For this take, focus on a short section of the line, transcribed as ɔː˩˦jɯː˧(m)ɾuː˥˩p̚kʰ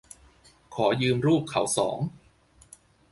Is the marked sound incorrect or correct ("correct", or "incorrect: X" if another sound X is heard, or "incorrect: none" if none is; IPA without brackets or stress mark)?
correct